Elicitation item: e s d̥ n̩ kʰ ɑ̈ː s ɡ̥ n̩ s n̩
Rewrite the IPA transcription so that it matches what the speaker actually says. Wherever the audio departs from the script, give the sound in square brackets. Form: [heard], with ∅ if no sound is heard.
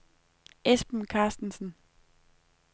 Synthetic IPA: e s [b̥] n̩ kʰ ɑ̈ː s [d̥] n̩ s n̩